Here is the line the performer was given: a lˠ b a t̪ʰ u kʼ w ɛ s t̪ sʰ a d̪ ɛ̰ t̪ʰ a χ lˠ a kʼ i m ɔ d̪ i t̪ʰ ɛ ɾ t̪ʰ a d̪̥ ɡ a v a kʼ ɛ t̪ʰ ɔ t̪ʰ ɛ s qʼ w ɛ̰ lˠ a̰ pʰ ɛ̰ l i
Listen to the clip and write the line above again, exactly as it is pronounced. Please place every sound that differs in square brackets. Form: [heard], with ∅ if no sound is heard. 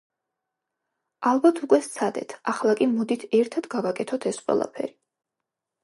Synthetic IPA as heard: a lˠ b a t̪ʰ u kʼ w ɛ s t̪ sʰ a d̪ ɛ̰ t̪ʰ a χ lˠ a kʼ i m ɔ d̪ i t̪ʰ ɛ ɾ t̪ʰ a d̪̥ ɡ a v a kʼ ɛ t̪ʰ ɔ t̪ʰ ɛ s qʼ w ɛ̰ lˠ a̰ pʰ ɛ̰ [ɾ] i